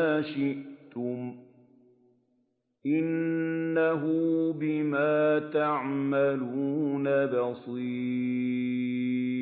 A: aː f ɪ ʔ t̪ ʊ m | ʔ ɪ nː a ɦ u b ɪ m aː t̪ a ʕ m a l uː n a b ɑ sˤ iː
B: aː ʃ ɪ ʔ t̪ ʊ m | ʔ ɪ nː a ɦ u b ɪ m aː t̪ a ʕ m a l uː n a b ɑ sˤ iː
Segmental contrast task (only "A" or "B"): B